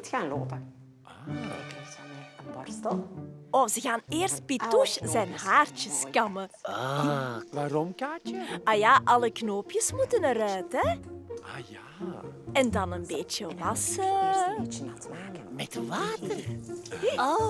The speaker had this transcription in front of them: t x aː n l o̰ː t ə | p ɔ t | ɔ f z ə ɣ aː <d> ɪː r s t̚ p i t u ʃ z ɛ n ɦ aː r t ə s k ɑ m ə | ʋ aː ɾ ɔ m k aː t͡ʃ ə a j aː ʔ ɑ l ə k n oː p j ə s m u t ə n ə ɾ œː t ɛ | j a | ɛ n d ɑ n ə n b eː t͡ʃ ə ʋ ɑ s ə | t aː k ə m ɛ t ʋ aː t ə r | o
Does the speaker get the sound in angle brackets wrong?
yes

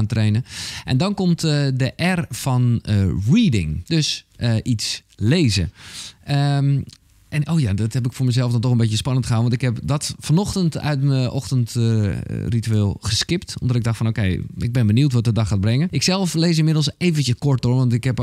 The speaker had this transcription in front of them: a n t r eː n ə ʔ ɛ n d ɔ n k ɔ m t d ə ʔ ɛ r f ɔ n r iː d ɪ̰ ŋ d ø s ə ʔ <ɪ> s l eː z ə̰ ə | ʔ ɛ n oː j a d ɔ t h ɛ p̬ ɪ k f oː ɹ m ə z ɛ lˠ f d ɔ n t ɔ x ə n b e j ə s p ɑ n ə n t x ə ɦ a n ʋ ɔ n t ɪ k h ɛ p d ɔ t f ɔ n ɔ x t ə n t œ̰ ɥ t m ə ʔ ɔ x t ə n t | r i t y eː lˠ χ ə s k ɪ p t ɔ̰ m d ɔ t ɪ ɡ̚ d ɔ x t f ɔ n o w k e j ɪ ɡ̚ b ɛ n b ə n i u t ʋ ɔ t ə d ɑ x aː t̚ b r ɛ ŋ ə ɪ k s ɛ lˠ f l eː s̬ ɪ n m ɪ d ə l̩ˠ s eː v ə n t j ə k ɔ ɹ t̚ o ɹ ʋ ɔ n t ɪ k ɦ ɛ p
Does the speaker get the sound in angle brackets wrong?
yes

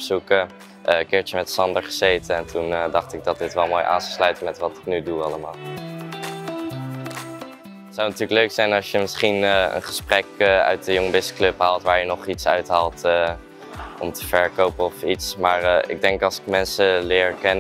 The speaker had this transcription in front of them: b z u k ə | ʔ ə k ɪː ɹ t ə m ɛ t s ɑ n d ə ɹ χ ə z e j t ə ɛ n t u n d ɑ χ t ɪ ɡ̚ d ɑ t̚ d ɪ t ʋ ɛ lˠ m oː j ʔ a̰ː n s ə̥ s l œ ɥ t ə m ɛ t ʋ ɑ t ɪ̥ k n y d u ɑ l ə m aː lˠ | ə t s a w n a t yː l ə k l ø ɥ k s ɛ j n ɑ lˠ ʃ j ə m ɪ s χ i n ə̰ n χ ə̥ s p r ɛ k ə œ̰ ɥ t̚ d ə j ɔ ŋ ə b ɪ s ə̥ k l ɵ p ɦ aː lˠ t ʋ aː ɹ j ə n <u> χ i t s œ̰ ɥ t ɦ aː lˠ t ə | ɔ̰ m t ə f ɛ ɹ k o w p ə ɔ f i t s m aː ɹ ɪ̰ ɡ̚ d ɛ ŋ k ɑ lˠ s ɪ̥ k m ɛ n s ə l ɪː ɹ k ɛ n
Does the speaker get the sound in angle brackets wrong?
yes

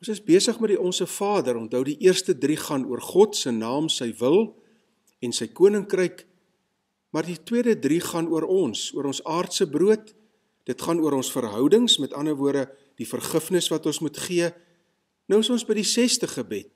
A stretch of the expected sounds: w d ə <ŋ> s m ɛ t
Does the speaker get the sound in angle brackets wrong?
no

